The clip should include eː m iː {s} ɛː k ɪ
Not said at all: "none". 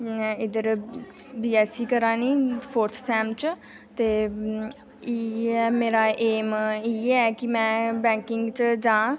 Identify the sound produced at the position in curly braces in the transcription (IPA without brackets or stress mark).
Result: none